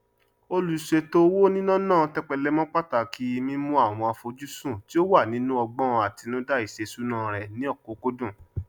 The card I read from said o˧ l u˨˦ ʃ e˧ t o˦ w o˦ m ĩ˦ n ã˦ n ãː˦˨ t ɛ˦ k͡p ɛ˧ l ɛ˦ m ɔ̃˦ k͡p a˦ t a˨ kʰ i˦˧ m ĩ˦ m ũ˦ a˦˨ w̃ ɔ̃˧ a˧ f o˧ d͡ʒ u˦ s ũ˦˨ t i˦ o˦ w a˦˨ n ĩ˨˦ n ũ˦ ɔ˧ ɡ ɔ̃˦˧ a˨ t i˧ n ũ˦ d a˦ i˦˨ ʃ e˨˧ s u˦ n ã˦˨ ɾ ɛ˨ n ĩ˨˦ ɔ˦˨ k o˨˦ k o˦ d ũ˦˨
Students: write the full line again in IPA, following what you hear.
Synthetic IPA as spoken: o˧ l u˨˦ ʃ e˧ t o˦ w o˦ n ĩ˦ n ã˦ n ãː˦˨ t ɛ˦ k͡p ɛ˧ l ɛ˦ m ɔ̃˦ k͡p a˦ t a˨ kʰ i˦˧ m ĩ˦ m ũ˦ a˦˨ w̃ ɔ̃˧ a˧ f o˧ d͡ʒ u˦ s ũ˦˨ t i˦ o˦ w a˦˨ n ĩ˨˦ n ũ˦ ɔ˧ ɡ͡b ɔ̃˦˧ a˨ t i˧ n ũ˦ d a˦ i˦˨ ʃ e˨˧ s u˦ n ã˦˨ ɾ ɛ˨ n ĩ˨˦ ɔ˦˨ k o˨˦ k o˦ d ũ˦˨